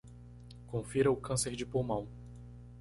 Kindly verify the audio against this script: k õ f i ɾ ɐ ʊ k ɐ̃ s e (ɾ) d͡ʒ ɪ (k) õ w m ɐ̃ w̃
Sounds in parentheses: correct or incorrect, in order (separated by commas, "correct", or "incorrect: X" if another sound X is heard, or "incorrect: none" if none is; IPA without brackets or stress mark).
correct, incorrect: p